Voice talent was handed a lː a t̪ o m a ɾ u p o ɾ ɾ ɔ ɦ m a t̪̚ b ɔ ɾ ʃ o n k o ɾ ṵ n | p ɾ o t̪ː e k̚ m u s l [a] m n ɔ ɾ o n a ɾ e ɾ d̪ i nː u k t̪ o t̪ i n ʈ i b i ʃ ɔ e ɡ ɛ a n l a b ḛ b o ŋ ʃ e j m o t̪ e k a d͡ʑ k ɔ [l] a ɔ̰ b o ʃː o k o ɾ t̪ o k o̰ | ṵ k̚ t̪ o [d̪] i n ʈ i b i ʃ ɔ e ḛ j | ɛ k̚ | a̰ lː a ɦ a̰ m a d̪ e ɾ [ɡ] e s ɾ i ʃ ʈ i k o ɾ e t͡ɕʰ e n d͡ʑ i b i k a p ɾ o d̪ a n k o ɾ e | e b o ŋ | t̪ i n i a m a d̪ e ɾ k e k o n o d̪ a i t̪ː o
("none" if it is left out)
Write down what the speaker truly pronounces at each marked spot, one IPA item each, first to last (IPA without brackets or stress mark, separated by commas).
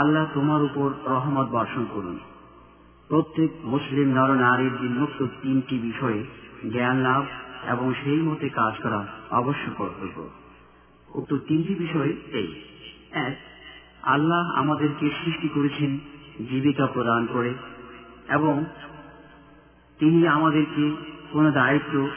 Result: i, ɾ, t̪, k